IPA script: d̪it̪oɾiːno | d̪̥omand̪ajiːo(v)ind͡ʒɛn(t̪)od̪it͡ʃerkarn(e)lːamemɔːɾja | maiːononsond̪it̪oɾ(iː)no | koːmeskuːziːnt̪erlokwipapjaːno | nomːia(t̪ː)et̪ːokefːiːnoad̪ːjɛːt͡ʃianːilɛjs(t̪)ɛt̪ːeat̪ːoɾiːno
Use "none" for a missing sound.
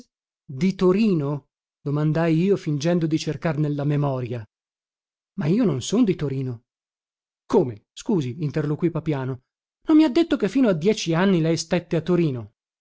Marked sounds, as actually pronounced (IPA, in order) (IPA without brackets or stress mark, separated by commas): f, d̪, e, iː, d̪ː, t̪